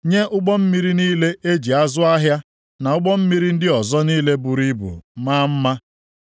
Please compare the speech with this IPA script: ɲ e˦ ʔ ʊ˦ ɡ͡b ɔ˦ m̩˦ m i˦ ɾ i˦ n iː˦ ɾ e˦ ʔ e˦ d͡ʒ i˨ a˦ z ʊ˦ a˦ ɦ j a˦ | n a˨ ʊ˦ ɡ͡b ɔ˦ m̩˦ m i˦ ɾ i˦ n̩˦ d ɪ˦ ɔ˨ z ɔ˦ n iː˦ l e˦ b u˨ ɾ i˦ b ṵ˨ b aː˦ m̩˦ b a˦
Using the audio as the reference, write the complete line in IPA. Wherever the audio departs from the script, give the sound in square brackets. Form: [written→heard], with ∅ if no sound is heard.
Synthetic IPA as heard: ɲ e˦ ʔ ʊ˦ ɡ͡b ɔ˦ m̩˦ m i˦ ɾ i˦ n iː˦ [ɾ→l] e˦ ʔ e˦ d͡ʒ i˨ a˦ z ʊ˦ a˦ ɦ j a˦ | n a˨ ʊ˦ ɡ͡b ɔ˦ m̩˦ m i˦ ɾ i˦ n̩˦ d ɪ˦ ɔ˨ z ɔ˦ n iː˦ l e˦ b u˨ ɾ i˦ b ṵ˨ [b→m] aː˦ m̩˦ [b→m] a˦